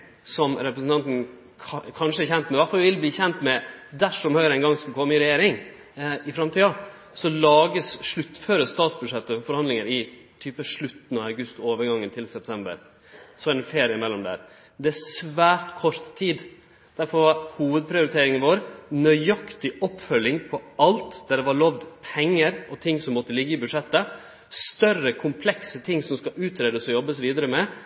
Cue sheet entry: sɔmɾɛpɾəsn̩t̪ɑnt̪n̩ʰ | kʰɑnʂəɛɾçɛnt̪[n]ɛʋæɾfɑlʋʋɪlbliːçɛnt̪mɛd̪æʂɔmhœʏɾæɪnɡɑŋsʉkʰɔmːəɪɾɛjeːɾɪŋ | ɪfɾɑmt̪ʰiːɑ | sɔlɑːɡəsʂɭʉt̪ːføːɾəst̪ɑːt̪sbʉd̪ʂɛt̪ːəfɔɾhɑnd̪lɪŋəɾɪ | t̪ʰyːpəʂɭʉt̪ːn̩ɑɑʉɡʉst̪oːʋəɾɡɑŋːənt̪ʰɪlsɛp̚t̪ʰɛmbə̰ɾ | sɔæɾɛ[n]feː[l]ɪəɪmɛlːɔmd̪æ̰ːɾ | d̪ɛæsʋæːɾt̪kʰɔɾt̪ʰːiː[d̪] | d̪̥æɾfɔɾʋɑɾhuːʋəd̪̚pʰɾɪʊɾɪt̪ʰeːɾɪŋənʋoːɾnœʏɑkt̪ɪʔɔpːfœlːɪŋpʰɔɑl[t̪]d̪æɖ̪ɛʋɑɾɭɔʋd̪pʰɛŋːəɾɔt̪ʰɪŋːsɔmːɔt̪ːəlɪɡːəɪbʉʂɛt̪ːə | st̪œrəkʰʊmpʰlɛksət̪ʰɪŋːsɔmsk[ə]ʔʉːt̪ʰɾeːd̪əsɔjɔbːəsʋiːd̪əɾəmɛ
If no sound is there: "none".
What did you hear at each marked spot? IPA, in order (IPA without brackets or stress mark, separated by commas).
m, n, ɾ, d̪, t̪, ɑ